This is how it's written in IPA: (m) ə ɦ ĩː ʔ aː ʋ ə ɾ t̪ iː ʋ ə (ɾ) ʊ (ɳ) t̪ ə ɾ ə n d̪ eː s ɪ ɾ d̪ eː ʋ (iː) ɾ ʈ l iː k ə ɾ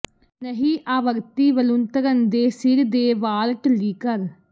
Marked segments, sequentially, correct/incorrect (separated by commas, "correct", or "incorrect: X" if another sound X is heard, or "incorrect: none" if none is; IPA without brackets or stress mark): incorrect: n, incorrect: l, incorrect: n, incorrect: aː